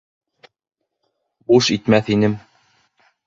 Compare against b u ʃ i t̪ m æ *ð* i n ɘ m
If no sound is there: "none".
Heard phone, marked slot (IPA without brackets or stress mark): θ